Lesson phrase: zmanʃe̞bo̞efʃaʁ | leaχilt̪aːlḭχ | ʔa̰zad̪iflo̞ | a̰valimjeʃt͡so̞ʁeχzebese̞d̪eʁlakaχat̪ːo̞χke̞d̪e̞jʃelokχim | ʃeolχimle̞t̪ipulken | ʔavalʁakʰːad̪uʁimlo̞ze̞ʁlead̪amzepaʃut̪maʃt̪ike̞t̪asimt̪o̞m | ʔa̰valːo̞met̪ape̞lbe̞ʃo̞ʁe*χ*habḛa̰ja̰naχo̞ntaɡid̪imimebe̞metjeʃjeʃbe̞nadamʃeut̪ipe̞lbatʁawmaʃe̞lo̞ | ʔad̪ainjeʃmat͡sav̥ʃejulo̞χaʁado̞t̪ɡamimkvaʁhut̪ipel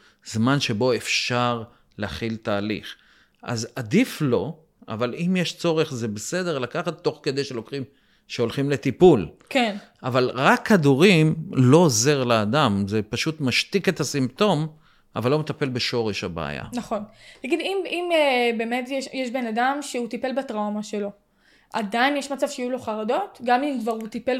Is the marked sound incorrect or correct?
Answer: incorrect